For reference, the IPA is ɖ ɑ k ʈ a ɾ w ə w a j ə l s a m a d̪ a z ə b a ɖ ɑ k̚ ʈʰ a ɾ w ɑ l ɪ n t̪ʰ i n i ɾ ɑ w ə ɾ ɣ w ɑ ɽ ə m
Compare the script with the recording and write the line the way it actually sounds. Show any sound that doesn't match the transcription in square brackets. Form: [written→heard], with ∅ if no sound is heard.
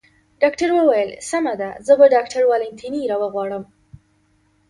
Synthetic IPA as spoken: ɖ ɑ k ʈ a ɾ w ə w a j ə l s a m a d̪ a z ə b a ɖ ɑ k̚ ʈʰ a ɾ w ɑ l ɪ n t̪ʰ i n i ɾ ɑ w ə [ɾ→∅] ɣ w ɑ ɽ ə m